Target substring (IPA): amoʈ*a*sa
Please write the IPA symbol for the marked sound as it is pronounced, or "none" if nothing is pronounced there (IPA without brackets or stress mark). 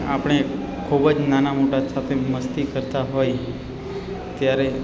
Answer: a